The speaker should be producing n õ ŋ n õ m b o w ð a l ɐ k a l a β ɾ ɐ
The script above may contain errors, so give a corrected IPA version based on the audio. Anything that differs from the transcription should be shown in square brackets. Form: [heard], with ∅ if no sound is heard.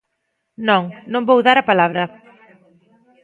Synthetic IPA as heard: n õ ŋ n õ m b o w ð a [ɾ] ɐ [p] a l a β ɾ ɐ

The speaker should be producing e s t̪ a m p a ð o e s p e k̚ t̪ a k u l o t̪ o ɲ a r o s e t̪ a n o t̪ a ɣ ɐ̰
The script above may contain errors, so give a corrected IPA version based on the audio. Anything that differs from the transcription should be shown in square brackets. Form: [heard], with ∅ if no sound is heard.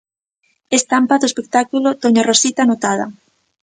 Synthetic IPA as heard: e s t̪ a m p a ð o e s p e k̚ t̪ a k u l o t̪ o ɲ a r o s [i] t̪ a n o t̪ a [ð] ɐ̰

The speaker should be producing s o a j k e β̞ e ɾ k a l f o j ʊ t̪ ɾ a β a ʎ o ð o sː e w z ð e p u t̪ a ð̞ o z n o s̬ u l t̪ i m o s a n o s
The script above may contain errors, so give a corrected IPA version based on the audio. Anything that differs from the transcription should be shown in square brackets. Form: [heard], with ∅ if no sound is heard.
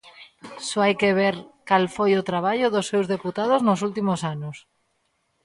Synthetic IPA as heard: s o a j k e β̞ e ɾ k a l f o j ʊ t̪ ɾ a β a ʎ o ð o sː e w z ð e p u t̪ a ð̞ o z n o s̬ u l t̪ i m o s a n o s

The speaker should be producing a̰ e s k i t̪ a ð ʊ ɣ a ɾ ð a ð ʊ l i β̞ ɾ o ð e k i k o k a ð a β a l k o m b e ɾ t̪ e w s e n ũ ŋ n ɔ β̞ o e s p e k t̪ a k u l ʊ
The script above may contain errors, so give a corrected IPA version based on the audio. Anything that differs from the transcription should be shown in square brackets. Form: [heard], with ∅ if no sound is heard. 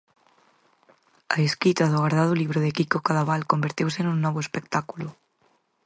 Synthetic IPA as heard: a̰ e s k i t̪ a ð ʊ ɣ a ɾ ð a ð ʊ l i β̞ ɾ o ð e k i k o k a ð a β a l k o m b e ɾ t̪ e w s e n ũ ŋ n ɔ β̞ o e s p e k t̪ a k u l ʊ

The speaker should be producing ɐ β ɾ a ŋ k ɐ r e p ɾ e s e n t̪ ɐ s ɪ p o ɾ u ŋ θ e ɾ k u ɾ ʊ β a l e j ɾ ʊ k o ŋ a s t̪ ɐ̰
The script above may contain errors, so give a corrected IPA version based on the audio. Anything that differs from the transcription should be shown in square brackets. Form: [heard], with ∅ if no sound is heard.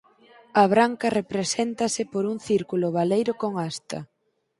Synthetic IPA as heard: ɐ β ɾ a ŋ k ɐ r e p ɾ e s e n t̪ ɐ s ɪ p o ɾ u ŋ θ [i] ɾ k u [l] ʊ β a l e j ɾ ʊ k o ŋ a s t̪ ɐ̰

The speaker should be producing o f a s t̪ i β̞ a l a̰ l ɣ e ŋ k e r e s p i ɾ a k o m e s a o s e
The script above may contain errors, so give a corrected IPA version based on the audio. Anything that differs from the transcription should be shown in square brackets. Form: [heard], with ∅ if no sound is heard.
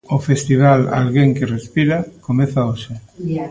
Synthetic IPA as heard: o f [e] s t̪ i β̞ a l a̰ l ɣ e ŋ k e r e s p i ɾ a k o m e [θ] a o [ʃ] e

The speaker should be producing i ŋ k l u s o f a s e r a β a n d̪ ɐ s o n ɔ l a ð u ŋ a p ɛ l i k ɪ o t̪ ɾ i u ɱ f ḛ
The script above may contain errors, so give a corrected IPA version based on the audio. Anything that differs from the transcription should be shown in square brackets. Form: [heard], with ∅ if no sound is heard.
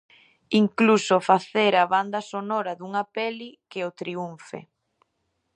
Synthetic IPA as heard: i ŋ k l u s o f a [θ] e [ɾ] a β a n d̪ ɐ s o n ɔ [ɾ] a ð u ŋ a p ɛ l i k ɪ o t̪ ɾ i u ɱ f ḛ

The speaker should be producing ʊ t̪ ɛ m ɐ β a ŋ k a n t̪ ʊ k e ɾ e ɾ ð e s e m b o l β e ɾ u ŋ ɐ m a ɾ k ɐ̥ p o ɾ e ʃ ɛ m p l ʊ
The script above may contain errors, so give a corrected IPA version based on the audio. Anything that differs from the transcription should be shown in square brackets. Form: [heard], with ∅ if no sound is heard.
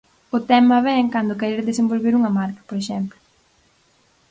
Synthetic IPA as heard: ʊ t̪ ɛ m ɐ β [ɛ] ŋ k a n [d̪] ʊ k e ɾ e ɾ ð e s e m b o l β e ɾ u ŋ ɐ m a ɾ k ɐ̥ p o ɾ e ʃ ɛ m p l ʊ

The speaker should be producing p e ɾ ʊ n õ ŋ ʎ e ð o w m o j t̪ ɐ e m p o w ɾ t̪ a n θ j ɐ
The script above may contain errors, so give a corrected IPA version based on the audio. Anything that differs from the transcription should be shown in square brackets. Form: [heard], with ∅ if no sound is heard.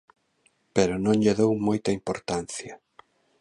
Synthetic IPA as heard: p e ɾ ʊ n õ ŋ ʎ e ð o w m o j t̪ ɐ [i] m p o [∅] ɾ t̪ a n θ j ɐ

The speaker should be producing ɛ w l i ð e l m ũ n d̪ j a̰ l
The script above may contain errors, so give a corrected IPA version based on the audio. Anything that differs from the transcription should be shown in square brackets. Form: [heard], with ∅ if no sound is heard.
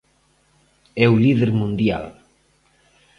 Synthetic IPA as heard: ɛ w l i ð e [ɾ] m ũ n d̪ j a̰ l

